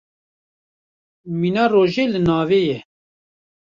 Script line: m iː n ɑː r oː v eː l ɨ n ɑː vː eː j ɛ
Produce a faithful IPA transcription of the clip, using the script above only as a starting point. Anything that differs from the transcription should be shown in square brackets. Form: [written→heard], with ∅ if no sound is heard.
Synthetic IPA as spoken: m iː n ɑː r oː [v→ʒ] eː l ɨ n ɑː [vː→v] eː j ɛ